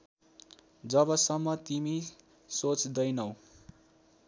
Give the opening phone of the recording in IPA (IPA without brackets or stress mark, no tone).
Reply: d͡z